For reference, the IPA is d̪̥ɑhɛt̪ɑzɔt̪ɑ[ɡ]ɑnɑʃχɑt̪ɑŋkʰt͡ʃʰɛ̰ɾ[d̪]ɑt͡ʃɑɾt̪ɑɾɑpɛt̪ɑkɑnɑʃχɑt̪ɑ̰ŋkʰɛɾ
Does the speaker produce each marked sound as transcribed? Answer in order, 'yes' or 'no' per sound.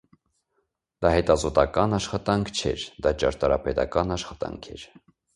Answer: no, yes

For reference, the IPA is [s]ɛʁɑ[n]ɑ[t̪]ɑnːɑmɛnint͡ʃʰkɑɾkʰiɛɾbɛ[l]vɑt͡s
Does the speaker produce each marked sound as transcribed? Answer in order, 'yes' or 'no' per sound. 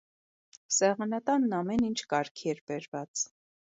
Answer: yes, yes, yes, no

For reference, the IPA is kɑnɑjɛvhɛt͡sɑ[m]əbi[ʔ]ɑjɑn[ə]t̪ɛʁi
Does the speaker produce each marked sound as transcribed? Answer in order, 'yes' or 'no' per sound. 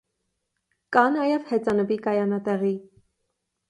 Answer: no, no, no

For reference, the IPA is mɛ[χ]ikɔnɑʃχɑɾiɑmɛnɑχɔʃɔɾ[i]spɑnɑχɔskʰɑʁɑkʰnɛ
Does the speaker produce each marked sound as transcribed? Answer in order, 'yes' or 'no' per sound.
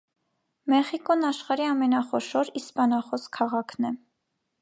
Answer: yes, yes

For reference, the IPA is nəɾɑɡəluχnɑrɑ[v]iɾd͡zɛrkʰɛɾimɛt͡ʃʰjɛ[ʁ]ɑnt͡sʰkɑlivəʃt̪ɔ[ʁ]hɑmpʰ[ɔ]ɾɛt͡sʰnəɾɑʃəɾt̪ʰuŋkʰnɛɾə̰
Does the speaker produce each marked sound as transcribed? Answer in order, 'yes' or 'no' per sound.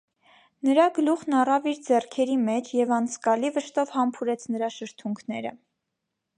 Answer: yes, no, no, no

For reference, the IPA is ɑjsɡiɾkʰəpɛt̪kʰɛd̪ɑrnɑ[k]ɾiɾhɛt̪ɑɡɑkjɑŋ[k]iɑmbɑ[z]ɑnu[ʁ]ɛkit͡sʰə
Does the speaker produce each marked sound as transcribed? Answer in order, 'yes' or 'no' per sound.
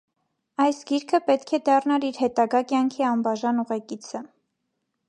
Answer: no, no, no, yes

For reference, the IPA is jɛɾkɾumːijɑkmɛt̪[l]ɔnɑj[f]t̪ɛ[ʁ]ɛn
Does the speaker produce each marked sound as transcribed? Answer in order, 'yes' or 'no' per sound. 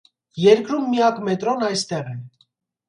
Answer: no, no, yes

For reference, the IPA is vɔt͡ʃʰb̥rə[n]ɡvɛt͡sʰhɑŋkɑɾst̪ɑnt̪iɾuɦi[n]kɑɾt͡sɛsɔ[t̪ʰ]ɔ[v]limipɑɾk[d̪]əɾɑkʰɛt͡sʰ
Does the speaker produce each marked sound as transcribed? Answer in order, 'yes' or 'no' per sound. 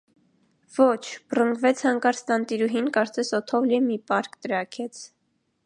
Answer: no, yes, yes, yes, no

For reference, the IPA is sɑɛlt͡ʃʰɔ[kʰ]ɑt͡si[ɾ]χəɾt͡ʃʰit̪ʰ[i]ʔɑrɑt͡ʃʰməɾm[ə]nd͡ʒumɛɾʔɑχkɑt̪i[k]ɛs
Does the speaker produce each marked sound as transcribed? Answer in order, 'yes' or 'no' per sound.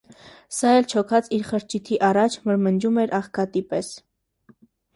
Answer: yes, yes, yes, yes, no

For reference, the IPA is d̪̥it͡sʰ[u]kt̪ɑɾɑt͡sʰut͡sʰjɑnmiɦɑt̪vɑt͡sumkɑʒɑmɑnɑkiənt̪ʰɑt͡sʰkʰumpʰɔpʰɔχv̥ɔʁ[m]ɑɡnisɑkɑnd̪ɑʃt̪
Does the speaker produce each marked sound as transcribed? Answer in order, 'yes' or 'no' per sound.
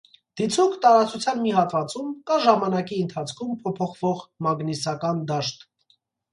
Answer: yes, yes

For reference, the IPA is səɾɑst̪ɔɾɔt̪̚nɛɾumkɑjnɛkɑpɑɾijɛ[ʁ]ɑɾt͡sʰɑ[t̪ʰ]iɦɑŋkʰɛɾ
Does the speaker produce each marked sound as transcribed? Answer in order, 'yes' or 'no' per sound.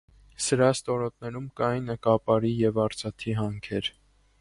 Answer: no, yes

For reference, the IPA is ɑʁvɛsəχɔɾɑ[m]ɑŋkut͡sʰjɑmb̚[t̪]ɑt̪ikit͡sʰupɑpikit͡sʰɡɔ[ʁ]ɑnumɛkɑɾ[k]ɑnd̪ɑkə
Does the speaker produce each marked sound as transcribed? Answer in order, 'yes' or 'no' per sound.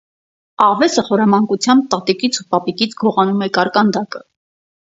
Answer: yes, yes, yes, yes

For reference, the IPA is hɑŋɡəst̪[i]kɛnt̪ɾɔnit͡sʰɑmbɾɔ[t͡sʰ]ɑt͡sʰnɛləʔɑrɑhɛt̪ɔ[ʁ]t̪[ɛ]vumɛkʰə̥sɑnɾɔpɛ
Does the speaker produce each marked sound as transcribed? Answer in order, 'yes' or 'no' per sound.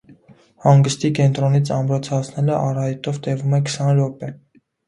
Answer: yes, yes, no, yes

